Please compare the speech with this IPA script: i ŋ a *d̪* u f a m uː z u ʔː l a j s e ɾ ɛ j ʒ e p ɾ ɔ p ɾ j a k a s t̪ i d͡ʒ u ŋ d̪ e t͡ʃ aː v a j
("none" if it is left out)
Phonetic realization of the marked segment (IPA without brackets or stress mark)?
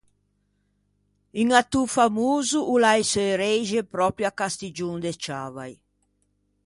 t̪